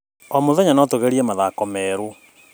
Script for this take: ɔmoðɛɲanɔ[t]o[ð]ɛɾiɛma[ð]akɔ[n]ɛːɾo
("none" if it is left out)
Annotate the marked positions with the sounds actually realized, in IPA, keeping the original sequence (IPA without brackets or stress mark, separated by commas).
t, ɣ, ð, m